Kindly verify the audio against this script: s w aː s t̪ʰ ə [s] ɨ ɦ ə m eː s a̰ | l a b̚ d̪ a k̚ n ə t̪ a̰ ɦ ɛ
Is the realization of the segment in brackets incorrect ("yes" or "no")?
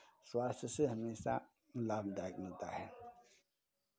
no